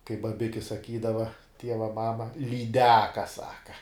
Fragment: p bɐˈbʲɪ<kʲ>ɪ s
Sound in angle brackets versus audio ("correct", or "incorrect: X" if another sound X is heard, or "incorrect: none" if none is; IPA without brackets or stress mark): correct